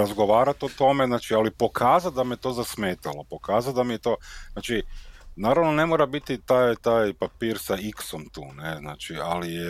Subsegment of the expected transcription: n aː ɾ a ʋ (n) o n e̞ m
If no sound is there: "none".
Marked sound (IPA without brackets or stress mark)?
n